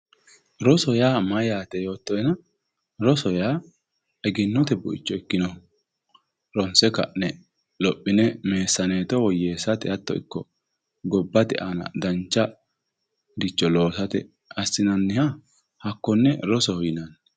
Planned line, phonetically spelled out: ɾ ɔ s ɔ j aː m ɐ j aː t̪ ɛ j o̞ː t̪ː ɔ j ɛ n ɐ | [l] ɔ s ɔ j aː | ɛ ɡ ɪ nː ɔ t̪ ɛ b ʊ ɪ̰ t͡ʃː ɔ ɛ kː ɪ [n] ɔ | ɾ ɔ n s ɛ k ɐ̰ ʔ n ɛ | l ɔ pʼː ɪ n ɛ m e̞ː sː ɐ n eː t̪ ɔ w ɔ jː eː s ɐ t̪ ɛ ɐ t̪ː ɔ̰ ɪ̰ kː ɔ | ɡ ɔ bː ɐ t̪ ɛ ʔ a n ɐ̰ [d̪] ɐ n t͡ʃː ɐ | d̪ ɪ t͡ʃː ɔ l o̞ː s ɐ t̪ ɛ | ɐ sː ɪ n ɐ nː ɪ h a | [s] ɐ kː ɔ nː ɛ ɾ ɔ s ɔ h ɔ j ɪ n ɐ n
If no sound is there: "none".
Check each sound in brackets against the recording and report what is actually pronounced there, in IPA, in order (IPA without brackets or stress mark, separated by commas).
ɾ, n, d̪, h